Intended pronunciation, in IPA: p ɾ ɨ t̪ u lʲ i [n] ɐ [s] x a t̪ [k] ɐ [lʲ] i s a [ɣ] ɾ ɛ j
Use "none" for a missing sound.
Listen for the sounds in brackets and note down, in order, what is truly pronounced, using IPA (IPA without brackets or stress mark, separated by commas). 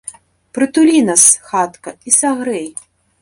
n, s, k, none, ɣ